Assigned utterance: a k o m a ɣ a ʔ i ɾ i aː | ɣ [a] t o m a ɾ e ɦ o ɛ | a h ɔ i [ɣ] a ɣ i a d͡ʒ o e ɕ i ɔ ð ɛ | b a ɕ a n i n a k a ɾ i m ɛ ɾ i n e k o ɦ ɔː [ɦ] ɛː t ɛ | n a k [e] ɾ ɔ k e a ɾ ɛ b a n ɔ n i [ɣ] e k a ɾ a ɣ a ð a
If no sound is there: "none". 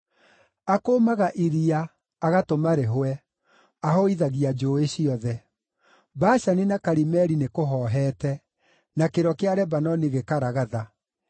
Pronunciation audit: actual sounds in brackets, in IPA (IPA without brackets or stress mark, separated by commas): a, ð, ɦ, e, ɣ